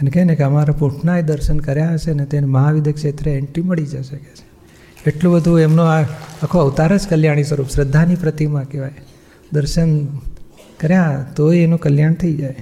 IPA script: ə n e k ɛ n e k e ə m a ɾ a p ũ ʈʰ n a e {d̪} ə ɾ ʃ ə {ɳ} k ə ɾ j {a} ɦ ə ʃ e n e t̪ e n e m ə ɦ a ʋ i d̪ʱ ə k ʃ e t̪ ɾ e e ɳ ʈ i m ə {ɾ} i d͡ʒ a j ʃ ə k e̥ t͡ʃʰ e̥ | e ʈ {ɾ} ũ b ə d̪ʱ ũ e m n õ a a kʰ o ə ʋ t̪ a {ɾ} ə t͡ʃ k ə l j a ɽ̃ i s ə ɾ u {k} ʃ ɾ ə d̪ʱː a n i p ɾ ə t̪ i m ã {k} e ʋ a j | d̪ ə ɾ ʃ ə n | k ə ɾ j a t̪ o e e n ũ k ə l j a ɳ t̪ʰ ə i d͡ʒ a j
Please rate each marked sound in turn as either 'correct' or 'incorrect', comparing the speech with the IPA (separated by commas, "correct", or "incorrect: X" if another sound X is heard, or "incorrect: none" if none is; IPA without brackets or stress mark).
correct, incorrect: n, correct, incorrect: ɭ, incorrect: l, correct, incorrect: p, correct